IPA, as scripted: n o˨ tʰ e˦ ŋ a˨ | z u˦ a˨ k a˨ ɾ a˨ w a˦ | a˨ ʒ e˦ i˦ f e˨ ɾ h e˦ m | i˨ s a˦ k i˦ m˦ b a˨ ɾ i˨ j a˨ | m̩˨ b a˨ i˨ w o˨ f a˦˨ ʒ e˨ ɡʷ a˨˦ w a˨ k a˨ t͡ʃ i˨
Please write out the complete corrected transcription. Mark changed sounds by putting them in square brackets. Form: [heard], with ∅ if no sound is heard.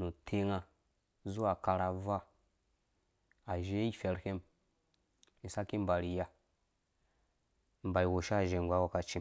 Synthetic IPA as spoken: n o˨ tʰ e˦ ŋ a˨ | z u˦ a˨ k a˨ ɾ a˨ [v] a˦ | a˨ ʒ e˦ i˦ f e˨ ɾ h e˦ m | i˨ s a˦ k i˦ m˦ b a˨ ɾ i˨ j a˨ | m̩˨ b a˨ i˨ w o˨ [ʃ] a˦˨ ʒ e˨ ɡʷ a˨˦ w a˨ k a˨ t͡ʃ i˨

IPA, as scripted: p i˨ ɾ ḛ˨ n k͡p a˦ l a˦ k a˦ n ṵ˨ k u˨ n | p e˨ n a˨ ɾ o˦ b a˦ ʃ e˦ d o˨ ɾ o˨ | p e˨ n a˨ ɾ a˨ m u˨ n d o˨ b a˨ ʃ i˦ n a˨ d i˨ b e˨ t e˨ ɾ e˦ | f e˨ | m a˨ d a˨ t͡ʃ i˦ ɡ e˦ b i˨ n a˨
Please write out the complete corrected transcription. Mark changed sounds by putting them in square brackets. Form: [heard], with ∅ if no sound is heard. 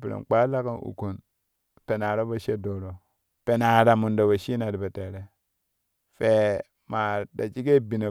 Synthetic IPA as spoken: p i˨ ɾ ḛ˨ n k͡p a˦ l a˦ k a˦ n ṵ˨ k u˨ n | p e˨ n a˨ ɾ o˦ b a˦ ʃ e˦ d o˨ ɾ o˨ | p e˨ n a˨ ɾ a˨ m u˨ n d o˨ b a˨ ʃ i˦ n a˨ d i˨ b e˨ t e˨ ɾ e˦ | f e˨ | m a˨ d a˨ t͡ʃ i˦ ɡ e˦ b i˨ n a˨

